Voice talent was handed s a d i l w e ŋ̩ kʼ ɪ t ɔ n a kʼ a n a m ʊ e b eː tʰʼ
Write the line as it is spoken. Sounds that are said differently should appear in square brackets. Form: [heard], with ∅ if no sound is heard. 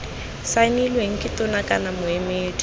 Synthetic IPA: s a [n] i l w e ŋ̩ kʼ ɪ t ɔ n a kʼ a n a m ʊ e [m] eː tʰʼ